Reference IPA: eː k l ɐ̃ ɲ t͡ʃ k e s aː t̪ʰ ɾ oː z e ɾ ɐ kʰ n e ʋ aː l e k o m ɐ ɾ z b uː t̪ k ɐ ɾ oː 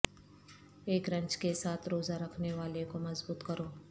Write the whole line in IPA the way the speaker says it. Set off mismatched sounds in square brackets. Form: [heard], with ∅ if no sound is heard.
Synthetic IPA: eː k [ɾ] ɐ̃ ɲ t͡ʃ k e s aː t̪ʰ ɾ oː z [a] ɾ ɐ kʰ n e ʋ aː l e k o m ɐ [∅] z b uː t̪ k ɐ ɾ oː